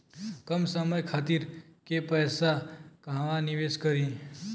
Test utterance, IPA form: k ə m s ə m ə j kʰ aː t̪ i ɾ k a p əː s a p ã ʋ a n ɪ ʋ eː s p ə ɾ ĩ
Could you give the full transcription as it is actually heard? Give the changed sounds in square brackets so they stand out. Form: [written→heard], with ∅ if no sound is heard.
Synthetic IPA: k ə m s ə m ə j kʰ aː t̪ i ɾ k [a→e] p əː s a [p→k] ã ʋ a n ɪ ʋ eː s [p→k] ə ɾ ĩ